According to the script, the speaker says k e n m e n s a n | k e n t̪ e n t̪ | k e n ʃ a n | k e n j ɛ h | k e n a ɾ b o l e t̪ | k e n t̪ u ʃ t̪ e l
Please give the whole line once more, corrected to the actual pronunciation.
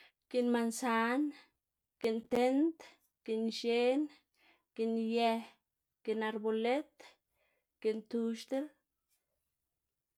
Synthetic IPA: k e n m a n s a n | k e n t̪ e n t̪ | k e n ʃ e n | k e n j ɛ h | k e n a ɾ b o l e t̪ | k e n t̪ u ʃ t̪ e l